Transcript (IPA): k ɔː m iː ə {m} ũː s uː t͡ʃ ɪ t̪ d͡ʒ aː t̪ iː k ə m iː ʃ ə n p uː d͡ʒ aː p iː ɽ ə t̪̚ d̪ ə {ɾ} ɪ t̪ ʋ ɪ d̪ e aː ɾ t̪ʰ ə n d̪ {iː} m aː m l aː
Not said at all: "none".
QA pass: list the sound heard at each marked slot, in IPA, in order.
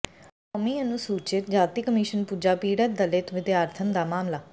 n, l, aː

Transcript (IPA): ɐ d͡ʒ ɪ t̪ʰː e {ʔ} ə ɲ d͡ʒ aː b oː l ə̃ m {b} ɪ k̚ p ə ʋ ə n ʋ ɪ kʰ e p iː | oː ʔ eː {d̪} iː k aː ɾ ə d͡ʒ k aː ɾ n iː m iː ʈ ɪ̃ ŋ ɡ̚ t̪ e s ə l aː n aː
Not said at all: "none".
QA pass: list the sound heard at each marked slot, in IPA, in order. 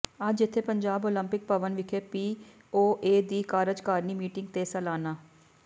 p, p, d̪

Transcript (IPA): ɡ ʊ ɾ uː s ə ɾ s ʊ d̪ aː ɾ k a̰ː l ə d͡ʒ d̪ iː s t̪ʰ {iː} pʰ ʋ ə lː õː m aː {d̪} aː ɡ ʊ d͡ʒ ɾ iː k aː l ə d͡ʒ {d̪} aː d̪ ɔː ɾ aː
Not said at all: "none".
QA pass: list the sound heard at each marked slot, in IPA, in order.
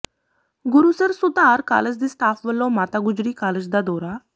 aː, t̪, d̪

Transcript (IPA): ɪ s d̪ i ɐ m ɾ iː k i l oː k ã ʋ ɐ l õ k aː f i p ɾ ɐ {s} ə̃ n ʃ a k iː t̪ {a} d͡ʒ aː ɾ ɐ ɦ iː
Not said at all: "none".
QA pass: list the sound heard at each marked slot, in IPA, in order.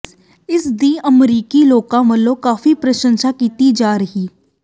ʃ, i

